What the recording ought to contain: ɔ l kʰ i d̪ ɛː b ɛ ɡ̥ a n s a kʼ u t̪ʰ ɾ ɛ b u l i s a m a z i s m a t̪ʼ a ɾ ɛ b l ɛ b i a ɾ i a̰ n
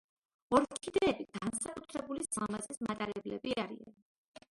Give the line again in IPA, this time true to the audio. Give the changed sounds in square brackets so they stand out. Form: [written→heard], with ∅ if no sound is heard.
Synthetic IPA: ɔ [l→ɾ] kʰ i d̪ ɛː b [ɛ→i] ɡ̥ a n s a kʼ u t̪ʰ ɾ ɛ b u l i s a m a z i s m a t̪ʼ a ɾ ɛ b l ɛ b i a ɾ i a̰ n